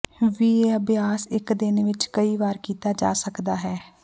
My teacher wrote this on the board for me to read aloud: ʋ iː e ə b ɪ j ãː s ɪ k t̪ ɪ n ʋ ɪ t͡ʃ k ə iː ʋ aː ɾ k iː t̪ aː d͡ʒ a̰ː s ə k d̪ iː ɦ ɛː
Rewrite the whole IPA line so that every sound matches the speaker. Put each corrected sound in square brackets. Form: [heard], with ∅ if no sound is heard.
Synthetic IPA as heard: ʋ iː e ə b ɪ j [aː] s ɪ k [d̪] ɪ n ʋ ɪ t͡ʃ k ə iː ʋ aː ɾ k iː t̪ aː d͡ʒ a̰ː s ə k d̪ [aː] ɦ ɛː